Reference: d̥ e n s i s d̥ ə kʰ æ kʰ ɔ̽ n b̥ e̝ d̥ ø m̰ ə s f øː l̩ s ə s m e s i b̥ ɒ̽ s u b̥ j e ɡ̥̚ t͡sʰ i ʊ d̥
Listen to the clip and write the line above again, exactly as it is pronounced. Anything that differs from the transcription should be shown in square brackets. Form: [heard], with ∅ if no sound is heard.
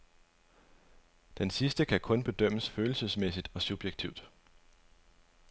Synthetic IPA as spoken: d̥ e n s i s d̥ ə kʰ æ kʰ ɔ̽ n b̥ e̝ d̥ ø m̰ ə s f øː l̩ s ə s m e s i [d̥] ɒ̽ s u b̥ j e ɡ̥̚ t͡sʰ i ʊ d̥